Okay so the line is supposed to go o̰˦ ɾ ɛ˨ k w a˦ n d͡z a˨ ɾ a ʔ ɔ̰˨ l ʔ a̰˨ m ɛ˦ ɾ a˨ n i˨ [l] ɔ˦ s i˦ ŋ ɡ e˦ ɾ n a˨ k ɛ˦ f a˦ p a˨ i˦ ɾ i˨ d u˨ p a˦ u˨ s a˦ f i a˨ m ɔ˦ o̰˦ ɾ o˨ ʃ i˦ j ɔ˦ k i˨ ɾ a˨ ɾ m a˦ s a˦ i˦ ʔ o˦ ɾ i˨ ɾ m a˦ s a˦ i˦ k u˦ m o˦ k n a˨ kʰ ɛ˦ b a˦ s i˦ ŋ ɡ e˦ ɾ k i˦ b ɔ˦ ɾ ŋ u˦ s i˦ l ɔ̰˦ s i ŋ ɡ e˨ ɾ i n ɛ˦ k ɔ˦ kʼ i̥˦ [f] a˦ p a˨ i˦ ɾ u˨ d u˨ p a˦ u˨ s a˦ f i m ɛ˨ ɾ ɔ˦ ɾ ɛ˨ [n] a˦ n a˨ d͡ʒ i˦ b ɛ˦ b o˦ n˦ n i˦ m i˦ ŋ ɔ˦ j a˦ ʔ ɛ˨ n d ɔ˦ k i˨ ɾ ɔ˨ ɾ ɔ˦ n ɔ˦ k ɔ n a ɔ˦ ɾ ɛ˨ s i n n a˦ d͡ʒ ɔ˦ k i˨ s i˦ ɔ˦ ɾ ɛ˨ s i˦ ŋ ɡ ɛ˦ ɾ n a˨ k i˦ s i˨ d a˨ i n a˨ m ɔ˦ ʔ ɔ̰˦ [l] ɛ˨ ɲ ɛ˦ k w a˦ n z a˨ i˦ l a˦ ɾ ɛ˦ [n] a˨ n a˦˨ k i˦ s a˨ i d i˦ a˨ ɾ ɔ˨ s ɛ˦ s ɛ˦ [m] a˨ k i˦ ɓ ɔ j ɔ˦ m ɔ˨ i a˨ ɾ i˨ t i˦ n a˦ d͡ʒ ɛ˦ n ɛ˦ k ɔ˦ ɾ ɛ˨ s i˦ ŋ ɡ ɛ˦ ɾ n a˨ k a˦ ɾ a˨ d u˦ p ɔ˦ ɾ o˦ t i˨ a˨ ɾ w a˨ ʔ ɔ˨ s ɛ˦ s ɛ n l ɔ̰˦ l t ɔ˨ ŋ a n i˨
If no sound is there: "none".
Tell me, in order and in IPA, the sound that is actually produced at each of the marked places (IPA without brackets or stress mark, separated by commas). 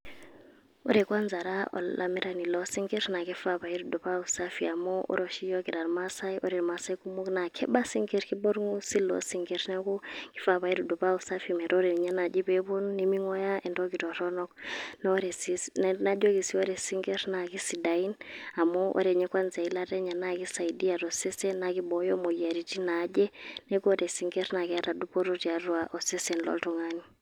l, f, ɲ, ɾ, ɲ, n